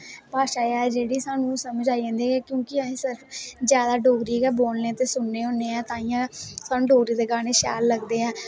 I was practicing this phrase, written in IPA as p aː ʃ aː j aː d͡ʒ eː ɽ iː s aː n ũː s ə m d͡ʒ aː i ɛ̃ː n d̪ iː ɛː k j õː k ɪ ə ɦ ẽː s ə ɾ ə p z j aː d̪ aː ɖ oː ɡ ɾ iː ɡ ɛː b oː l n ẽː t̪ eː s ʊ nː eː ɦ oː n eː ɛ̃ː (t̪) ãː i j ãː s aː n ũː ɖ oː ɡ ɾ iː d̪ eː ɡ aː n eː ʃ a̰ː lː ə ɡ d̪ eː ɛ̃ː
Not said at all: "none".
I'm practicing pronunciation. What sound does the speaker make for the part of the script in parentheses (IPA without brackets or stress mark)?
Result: t̪